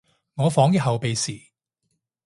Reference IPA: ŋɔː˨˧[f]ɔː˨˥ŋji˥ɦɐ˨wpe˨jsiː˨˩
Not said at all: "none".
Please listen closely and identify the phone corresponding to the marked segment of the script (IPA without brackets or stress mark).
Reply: f